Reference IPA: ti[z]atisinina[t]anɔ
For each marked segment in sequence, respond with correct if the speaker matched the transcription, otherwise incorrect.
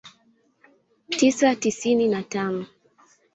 incorrect: s, correct

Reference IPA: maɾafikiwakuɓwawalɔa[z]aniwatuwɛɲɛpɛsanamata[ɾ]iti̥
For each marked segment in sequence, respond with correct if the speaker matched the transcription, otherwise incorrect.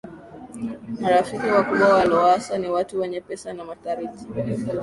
incorrect: s, correct

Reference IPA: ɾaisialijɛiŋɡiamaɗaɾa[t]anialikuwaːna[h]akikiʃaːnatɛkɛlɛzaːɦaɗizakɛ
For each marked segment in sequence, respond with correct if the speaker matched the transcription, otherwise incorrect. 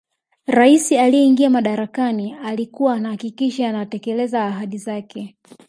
incorrect: k, correct

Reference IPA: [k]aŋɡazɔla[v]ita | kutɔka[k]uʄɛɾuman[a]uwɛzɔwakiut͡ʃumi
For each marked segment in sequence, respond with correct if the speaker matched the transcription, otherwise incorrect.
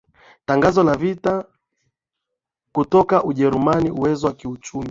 incorrect: t, correct, incorrect: ʔ, incorrect: i

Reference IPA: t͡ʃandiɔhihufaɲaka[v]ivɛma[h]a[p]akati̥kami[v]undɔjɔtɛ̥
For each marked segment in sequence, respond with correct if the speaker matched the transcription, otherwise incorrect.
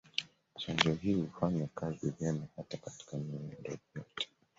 incorrect: z, correct, incorrect: t, incorrect: none

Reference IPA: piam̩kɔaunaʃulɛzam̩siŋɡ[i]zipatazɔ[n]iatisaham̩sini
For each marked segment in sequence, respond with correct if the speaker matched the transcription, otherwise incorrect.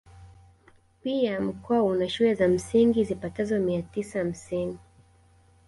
correct, incorrect: m

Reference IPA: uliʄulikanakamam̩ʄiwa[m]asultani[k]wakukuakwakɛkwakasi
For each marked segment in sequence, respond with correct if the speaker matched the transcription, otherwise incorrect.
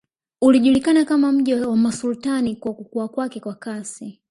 correct, correct

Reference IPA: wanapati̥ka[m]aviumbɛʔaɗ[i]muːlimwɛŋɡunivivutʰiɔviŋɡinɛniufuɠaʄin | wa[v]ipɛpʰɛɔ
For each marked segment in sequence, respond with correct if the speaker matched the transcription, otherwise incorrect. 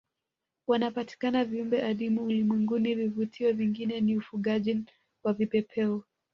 incorrect: n, correct, correct

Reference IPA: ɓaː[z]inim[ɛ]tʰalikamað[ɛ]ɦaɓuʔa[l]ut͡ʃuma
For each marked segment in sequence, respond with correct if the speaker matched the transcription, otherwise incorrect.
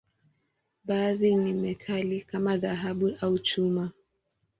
incorrect: ð, correct, incorrect: a, incorrect: none

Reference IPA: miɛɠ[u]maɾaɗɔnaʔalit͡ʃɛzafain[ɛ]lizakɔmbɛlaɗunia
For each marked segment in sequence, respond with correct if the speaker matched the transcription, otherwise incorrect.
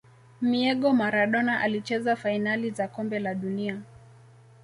incorrect: ɔ, incorrect: a

